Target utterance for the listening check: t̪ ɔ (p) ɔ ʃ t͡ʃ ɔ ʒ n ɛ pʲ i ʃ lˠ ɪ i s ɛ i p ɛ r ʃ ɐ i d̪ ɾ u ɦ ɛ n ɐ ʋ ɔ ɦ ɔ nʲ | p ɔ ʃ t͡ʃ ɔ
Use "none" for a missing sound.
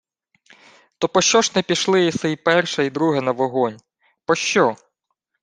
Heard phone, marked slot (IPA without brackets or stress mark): p